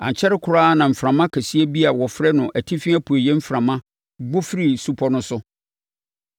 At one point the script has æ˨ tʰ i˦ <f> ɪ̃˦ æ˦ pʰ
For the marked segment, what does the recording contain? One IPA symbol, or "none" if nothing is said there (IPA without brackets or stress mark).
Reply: f